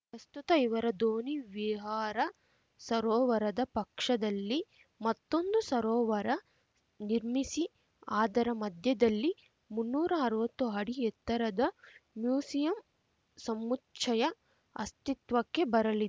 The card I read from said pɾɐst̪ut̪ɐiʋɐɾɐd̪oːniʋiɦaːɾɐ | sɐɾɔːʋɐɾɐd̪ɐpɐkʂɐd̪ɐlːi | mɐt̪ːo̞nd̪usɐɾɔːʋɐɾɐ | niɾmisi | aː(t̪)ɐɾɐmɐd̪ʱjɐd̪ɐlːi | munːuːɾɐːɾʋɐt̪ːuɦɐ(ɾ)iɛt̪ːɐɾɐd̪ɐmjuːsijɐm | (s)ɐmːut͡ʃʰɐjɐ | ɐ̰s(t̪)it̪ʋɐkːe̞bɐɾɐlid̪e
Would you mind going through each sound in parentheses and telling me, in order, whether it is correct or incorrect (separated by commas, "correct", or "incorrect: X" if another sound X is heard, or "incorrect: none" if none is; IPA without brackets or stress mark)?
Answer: incorrect: d̪, incorrect: ɽ, correct, correct